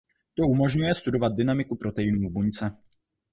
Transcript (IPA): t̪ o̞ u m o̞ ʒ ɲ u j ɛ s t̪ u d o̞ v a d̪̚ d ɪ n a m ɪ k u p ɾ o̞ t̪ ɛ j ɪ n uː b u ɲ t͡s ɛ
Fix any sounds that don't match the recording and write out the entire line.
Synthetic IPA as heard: t̪ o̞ u m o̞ ʒ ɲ u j ɛ s t̪ u d o̞ v a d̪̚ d ɪ n a m ɪ k u p ɾ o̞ t̪ ɛ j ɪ n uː b u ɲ t͡s ɛ